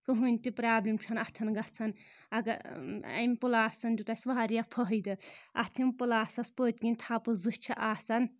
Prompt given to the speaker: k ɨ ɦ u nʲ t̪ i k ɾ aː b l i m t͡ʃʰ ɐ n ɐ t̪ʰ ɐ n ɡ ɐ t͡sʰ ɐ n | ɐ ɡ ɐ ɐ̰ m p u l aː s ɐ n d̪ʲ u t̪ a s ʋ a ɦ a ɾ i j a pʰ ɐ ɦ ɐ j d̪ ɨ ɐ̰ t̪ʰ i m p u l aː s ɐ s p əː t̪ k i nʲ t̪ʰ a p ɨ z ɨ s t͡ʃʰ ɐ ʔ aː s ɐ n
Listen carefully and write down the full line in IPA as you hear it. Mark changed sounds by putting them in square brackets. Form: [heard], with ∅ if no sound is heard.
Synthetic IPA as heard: k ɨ ɦ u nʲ t̪ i [p] ɾ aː b l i m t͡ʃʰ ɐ n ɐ t̪ʰ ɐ n ɡ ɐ t͡sʰ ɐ n | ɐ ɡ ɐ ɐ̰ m p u l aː s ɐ n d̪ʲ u t̪ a s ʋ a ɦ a ɾ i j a pʰ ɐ ɦ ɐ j d̪ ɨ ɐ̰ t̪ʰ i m p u l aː s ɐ s p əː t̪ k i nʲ t̪ʰ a p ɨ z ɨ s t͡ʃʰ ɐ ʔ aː s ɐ n